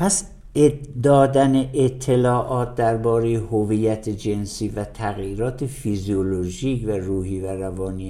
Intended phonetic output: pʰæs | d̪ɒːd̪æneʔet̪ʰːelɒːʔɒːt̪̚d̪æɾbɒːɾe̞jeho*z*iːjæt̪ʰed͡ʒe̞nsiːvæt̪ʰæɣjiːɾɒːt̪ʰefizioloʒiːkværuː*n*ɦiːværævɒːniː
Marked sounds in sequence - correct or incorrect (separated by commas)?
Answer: incorrect, incorrect